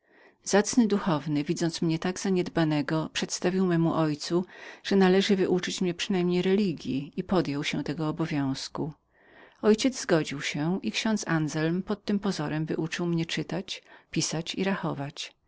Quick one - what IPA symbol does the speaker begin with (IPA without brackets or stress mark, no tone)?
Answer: z